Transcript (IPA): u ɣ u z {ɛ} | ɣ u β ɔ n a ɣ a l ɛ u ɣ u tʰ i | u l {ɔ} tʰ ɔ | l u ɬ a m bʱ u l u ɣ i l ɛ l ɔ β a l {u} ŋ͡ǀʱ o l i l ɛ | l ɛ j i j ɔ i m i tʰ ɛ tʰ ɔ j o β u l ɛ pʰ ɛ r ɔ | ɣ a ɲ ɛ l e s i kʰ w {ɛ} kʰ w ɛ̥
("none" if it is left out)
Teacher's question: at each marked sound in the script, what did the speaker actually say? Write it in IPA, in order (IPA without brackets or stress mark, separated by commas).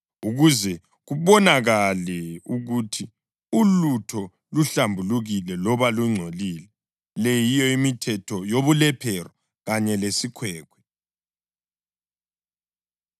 ɛ, u, u, ɛː